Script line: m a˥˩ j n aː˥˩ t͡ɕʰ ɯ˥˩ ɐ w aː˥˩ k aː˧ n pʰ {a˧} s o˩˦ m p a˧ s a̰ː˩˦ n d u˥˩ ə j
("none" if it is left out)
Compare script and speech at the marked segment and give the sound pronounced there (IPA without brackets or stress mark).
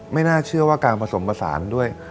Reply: a˧